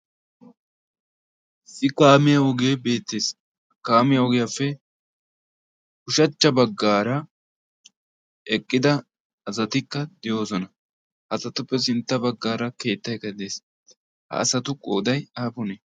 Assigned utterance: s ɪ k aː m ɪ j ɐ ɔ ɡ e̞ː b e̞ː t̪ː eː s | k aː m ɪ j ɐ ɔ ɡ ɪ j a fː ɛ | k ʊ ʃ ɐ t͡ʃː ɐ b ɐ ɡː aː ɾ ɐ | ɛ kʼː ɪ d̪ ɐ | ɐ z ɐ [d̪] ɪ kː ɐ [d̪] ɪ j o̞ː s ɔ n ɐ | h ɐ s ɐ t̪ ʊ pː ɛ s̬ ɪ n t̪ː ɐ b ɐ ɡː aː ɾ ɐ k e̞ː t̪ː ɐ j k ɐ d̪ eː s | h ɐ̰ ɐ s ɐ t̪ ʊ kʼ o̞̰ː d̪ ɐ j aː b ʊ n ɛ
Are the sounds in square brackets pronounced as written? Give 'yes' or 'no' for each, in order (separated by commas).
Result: no, yes